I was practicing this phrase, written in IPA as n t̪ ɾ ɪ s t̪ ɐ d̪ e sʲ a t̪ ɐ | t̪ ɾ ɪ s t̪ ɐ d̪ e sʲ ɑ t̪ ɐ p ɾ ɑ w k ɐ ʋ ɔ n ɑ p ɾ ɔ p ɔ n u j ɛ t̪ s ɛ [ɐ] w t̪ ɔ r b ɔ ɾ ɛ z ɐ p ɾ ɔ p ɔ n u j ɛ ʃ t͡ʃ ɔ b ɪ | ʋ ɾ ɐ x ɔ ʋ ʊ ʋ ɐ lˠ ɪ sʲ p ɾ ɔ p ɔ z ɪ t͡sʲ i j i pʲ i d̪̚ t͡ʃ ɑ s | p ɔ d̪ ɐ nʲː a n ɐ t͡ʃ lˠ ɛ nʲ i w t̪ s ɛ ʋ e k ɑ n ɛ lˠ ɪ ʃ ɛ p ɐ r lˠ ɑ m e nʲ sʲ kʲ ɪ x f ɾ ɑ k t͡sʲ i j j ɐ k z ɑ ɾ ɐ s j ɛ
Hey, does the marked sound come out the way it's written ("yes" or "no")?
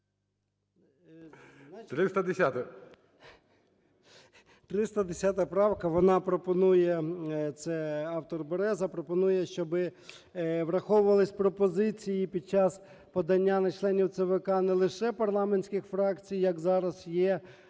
no